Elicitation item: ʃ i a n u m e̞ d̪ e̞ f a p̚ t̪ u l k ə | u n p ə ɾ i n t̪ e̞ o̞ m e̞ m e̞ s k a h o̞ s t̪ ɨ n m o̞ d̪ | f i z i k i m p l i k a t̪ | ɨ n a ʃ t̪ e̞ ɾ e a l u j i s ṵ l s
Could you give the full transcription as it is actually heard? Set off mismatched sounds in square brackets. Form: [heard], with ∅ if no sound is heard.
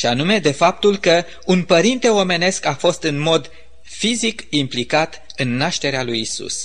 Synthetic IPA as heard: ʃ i a n u m e̞ d̪ e̞ f a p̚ t̪ u l k ə | u n p ə ɾ i n t̪ e̞ o̞ m e̞ [n] e̞ s k a [f] o̞ s t̪ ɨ n m o̞ d̪ | f i z i k i m p l i k a t̪ | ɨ [nː] a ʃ t̪ e̞ ɾ e a l u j i s ṵ [∅] s